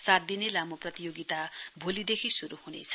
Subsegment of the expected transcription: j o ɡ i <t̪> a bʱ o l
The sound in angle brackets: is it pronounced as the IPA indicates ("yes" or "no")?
yes